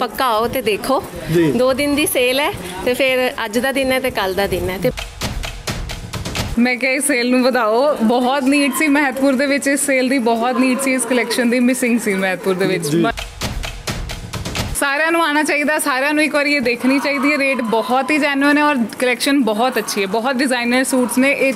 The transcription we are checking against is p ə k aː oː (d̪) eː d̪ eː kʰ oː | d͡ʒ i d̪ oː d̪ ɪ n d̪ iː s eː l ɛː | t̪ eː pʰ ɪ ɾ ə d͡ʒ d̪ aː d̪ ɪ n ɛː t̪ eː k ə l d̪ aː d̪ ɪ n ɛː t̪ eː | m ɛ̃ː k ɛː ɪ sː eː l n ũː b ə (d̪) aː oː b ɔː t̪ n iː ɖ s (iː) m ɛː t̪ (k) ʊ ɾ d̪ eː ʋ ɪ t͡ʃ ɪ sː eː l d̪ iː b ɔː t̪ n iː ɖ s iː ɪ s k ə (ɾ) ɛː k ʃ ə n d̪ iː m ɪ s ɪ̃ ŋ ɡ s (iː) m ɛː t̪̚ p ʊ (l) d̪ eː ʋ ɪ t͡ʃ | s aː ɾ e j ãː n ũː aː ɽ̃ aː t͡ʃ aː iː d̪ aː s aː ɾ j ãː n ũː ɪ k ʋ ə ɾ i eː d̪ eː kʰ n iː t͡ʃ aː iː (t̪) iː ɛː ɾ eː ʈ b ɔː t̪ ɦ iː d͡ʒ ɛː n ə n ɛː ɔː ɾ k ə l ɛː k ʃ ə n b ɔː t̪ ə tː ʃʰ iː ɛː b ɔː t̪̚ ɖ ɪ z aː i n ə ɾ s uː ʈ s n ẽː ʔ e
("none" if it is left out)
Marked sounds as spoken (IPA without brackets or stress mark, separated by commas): t̪, d̪, iː, p, l, iː, ɾ, d̪